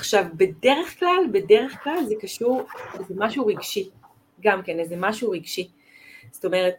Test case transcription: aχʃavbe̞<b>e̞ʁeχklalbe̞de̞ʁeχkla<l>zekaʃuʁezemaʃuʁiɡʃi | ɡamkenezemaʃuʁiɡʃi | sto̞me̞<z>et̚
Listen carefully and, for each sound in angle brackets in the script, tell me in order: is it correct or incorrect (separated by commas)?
incorrect, correct, incorrect